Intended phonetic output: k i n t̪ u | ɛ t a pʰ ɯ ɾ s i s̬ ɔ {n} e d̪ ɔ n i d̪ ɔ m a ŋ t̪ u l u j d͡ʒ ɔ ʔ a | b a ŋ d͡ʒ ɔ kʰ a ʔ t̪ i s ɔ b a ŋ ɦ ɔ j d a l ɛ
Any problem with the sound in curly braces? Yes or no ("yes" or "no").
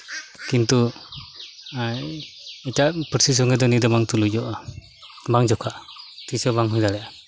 yes